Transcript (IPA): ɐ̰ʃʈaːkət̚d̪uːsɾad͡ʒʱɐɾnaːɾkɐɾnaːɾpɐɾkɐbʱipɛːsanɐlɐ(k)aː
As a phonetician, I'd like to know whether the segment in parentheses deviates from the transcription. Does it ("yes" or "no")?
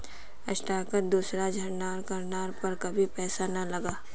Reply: yes